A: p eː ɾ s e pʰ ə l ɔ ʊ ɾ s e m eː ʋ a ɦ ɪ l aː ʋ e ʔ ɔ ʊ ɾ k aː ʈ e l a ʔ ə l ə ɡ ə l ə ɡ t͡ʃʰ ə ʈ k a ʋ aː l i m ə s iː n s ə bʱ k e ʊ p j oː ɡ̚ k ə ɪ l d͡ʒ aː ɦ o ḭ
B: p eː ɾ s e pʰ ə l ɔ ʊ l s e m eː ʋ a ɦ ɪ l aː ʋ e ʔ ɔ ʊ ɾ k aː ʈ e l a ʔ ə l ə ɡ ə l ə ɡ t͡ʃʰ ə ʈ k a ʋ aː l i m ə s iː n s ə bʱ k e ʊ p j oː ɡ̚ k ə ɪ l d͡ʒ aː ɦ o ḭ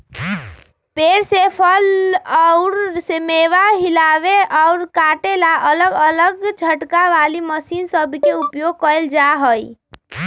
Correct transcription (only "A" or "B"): A